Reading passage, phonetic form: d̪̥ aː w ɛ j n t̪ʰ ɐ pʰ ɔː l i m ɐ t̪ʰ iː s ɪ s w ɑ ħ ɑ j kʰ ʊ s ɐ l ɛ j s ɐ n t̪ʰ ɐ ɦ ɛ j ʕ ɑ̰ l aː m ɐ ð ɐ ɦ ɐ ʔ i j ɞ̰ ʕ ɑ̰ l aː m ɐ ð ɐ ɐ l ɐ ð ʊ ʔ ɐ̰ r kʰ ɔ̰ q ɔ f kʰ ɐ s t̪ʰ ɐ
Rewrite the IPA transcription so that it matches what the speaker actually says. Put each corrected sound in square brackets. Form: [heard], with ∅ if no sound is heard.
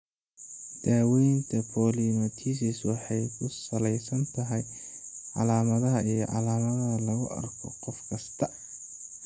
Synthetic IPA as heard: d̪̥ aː w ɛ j n t̪ʰ ɐ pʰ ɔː l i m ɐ t̪ʰ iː s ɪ s w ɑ ħ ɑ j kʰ ʊ s ɐ l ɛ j s ɐ n t̪ʰ ɐ ɦ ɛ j ʕ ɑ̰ l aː m ɐ ð ɐ ɦ ɐ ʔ i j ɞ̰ ʕ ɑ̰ l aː m ɐ ð ɐ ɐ l ɐ [ɣ] ʊ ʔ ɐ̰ r kʰ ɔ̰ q ɔ f kʰ ɐ s t̪ʰ ɐ